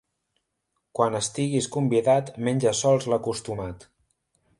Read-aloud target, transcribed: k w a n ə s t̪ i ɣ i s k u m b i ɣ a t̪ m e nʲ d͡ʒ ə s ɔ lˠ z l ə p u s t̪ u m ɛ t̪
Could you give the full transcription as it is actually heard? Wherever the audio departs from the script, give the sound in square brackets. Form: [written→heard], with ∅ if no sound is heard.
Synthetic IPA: k w a n ə s t̪ i ɣ i s k u m b i [ɣ→ð] a t̪ m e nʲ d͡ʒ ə s ɔ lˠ z l ə [p→k] u s t̪ u m [ɛ→a] t̪